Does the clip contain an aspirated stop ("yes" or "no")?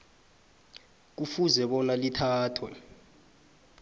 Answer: yes